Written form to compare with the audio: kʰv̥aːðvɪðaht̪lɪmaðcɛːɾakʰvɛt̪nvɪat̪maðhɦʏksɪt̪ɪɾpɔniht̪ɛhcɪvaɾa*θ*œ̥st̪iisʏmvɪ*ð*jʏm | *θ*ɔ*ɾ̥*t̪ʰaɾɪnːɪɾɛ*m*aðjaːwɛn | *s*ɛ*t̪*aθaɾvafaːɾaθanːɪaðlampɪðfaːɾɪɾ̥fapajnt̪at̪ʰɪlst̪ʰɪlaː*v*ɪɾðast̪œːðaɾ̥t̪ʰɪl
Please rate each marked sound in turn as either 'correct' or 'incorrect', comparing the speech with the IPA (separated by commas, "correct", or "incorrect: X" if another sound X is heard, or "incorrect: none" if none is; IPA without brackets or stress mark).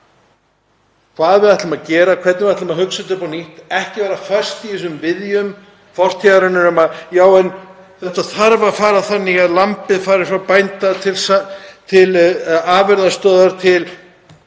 incorrect: f, correct, incorrect: f, incorrect: r̥, correct, incorrect: θ, correct, correct